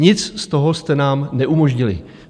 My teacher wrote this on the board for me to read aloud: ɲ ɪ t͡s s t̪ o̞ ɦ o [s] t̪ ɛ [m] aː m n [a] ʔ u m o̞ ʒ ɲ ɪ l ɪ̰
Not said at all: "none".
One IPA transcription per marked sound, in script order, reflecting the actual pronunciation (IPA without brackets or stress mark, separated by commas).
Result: s, n, ɛ